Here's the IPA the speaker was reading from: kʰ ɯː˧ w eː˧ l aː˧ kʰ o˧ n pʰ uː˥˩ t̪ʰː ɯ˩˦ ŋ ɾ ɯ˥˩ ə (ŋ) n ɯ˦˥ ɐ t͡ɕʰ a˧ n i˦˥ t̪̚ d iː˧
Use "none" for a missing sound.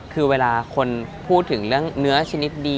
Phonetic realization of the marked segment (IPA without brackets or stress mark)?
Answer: ŋ